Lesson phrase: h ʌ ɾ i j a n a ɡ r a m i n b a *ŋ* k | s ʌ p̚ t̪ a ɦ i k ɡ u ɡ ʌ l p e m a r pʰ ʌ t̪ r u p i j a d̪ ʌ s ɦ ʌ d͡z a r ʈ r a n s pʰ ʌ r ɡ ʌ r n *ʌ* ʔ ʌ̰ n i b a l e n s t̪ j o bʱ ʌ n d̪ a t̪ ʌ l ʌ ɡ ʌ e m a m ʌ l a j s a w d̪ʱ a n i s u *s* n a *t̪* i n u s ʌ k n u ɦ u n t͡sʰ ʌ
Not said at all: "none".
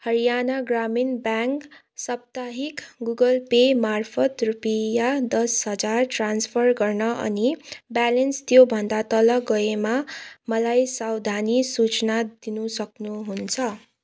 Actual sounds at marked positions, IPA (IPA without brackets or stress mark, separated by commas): ŋ, ʌ, t͡s, d̪